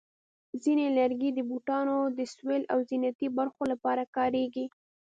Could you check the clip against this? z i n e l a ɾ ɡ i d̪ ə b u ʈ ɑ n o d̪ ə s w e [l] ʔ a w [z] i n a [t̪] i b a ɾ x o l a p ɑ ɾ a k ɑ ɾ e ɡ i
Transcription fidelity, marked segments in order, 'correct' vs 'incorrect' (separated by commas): correct, correct, correct